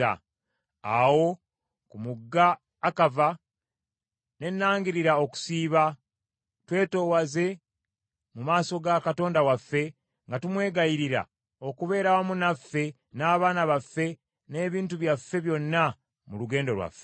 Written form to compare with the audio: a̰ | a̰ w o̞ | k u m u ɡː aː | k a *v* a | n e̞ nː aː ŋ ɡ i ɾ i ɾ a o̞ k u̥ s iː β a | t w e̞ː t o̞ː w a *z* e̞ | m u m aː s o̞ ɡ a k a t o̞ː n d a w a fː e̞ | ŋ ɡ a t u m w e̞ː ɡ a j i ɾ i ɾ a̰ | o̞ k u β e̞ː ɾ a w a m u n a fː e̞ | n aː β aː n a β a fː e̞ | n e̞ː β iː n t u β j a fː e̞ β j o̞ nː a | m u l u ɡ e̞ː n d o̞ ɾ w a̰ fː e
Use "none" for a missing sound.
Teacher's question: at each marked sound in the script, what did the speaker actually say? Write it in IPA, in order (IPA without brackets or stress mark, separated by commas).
v, z